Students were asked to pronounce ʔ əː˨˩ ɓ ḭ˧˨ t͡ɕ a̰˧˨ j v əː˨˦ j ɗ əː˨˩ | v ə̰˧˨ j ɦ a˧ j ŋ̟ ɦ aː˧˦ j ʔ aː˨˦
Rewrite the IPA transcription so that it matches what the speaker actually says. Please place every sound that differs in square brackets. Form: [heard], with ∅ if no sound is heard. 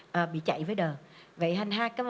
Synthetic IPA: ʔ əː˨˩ ɓ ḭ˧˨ t͡ɕ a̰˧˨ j v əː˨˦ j ɗ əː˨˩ | v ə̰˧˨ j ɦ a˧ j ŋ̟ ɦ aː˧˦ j [k] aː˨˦